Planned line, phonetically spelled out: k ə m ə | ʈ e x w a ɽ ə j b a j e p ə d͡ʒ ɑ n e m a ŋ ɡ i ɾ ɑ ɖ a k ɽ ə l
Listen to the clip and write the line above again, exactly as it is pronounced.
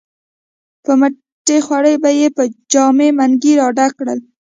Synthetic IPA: p ə m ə | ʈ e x w a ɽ ə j b a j e p ə d͡ʒ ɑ m e m a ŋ ɡ i ɾ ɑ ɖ a k ɽ ə l